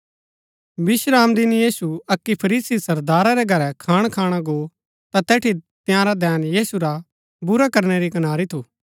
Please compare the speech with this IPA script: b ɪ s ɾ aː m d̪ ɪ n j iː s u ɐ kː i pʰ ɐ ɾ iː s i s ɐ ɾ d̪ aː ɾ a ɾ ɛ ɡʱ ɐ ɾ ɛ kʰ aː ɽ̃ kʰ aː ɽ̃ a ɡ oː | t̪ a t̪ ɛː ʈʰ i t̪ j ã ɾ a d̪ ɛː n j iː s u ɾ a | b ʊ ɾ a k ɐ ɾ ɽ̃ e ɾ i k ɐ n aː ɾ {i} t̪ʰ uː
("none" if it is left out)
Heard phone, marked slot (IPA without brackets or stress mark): i